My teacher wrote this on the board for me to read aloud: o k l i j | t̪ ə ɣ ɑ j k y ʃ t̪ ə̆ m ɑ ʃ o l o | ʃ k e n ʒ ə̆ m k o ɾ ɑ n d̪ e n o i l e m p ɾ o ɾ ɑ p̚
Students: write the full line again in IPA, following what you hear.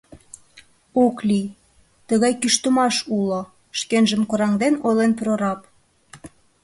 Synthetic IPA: o k l i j | t̪ ə ɣ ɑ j k y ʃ t̪ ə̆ m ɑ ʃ u l o | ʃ k e n ʒ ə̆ m k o ɾ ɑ ŋ d̪ e n o j l e n p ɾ o ɾ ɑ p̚